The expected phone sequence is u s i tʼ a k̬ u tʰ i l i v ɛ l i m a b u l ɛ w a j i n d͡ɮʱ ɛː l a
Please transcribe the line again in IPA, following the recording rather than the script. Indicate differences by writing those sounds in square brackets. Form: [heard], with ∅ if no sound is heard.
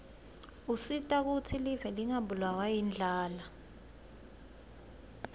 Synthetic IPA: u s i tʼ a k̬ u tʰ i l i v ɛ l i [ŋ] a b u l [a] w a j i n d͡ɮʱ [aː] l a